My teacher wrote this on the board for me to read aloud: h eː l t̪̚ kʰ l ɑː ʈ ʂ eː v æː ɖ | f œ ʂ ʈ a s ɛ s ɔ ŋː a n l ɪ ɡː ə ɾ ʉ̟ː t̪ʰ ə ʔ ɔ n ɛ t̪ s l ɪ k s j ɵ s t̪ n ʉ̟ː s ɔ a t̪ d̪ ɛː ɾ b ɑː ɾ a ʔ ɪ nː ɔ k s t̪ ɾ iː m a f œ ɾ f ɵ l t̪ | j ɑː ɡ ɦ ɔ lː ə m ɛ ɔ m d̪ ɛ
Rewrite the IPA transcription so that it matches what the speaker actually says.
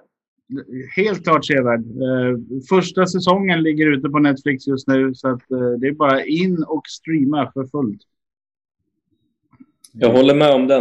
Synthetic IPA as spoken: h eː l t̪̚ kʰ l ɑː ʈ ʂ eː v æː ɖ | f œ ʂ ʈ a s ɛ s ɔ ŋː ə n l ɪ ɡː ə ɾ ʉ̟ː t̪ ə p ɔ n ɛ t̪ f l ɪ k s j ɵ s t̪ n ʉ̟ː s ɔ a t̪ d̪ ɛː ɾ b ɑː ɾ a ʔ ɪ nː ɔ k s t̪ ɾ iː m a f œ ɾ f ɵ l t̪ | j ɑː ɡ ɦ ɔ lː ə m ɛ ɔ m d̪ ɛ